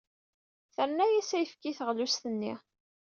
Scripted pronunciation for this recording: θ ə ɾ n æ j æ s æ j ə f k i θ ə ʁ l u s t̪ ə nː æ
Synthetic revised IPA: θ ə ɾ n æ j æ s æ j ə f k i θ ə ʁ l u s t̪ ə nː i

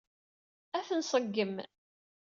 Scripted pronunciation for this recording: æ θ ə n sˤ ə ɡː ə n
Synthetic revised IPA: æ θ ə n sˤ ə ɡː ə m

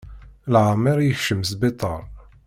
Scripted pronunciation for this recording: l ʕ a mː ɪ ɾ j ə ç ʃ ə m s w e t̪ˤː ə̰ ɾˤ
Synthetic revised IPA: l ʕ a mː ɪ ɾ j ə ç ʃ ə m s b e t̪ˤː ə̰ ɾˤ

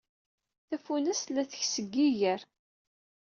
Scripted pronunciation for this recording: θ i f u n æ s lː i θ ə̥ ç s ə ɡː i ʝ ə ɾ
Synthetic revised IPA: θ æ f u n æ s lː æ θ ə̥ ç s ə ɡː i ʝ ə ɾ

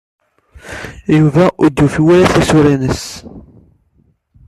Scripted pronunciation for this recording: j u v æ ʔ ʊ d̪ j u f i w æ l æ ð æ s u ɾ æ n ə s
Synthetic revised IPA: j u v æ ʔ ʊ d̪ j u f i w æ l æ θ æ s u ɾ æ n ə s

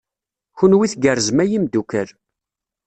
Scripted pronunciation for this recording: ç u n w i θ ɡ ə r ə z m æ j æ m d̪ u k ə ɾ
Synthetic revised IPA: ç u n w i θ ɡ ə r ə z m æ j i m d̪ u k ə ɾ

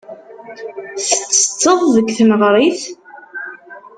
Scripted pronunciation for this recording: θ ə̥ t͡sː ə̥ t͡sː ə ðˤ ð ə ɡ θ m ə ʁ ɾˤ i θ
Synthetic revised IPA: θ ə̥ t͡sː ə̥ t͡sː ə ðˤ ð ə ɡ θ n ə ʁ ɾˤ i θ

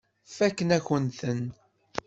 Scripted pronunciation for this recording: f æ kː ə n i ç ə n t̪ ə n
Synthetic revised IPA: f æ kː ə n æ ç ə n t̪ ə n

